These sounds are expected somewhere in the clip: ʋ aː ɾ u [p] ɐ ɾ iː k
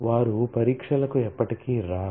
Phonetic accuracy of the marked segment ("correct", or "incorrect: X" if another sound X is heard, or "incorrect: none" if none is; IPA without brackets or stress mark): correct